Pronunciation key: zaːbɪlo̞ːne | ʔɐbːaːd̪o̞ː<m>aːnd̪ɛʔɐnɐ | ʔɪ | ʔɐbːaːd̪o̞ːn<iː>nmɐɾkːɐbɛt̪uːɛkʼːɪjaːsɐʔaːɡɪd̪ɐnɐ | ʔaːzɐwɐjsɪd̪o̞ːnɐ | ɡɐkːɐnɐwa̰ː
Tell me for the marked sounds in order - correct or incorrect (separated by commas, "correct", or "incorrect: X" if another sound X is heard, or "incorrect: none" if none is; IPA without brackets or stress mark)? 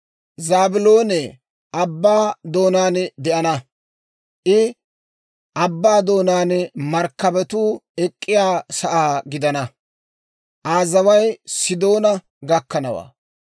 incorrect: n, incorrect: aː